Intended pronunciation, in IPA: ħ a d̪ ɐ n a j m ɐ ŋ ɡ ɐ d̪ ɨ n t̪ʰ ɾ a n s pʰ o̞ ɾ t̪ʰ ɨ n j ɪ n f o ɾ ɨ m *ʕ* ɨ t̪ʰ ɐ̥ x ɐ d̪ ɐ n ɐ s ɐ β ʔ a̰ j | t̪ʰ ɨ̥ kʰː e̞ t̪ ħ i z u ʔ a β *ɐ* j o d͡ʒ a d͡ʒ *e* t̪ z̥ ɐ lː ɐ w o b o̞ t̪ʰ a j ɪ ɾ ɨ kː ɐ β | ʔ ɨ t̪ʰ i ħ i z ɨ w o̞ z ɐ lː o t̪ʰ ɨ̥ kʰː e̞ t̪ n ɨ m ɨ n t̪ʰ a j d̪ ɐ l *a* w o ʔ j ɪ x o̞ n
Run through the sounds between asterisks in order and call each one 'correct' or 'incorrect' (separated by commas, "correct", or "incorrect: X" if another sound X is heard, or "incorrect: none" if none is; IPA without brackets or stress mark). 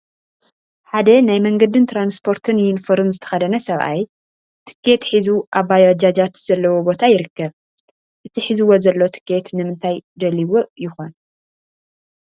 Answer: incorrect: z, incorrect: a, incorrect: a, incorrect: i